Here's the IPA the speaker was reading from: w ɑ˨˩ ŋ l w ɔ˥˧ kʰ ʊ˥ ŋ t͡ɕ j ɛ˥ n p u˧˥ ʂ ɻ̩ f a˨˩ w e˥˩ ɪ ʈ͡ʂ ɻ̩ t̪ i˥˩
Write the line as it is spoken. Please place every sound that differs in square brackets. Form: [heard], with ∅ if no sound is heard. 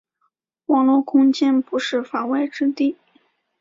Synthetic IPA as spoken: w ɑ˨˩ ŋ l w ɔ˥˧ kʰ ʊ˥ ŋ t͡ɕ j ɛ˥ n p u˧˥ ʂ ɻ̩ f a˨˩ w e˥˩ ɪ ʈ͡ʂ ɻ̩ t̪ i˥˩